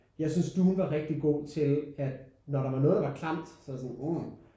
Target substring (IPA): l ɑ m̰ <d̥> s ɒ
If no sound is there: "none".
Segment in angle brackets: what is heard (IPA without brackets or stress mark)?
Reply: d̥